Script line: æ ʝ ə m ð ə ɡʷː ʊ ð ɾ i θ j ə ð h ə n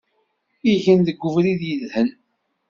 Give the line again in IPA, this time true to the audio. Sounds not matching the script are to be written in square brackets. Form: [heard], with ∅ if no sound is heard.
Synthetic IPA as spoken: [i] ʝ ə [n] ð ə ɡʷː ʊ [v] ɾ i [ð] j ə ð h ə n